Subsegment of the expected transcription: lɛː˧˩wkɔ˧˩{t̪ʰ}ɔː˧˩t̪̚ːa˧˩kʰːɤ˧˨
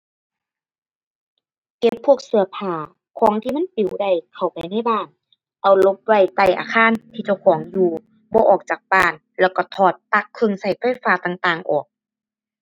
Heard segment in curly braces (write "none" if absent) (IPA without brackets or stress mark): t̪ʰ